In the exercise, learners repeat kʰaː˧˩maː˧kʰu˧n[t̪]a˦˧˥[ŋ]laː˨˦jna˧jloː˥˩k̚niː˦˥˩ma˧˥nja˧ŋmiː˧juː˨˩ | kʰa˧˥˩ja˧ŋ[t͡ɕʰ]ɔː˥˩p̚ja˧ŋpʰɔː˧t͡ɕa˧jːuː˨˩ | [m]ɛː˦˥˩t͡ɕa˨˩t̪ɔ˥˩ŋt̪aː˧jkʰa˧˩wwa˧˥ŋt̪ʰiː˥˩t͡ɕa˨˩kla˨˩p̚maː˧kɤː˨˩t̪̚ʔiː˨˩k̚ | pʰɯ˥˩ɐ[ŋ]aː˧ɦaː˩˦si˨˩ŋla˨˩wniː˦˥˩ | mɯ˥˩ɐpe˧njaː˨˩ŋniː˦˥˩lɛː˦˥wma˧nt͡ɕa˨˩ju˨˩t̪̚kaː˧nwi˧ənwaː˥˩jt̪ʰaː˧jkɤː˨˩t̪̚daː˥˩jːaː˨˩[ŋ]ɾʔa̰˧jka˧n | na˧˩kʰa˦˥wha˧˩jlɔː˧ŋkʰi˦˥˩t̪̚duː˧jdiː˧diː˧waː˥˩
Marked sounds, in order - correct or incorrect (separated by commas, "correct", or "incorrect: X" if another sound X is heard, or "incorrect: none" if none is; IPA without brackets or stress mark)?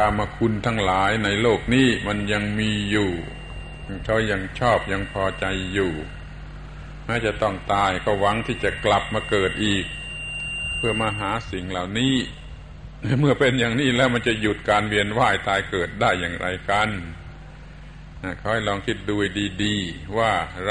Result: incorrect: t̪ʰ, correct, correct, correct, incorrect: m, correct